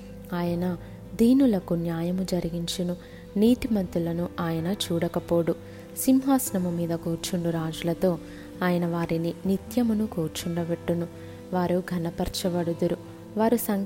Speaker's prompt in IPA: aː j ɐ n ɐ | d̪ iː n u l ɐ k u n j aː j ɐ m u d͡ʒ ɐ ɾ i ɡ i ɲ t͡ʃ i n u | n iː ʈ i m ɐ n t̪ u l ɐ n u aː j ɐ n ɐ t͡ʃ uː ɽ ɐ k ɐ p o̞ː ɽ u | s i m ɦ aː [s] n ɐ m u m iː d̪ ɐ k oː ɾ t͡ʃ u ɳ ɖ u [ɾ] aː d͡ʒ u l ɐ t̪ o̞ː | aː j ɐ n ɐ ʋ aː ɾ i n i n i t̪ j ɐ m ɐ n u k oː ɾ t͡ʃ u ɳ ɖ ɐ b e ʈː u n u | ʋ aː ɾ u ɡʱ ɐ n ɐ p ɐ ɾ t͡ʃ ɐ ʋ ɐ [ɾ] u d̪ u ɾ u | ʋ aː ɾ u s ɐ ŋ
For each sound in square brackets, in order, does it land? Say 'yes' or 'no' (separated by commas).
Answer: yes, yes, no